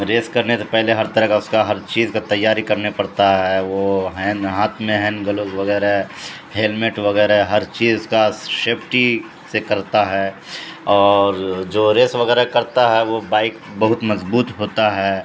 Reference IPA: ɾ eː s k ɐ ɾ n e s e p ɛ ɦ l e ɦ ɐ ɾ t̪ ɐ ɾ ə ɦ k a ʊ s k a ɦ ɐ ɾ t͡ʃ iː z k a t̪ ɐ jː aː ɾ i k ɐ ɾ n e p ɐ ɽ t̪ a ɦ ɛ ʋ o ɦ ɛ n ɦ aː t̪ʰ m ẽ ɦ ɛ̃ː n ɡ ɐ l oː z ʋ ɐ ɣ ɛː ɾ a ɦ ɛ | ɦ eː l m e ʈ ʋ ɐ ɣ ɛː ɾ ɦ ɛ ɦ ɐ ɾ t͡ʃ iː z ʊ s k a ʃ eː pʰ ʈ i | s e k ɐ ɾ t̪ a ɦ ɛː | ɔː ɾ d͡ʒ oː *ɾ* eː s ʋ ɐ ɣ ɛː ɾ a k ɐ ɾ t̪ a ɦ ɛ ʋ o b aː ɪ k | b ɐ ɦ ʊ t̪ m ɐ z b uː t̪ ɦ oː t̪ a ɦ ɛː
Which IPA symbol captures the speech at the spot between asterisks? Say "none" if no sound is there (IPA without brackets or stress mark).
ɾ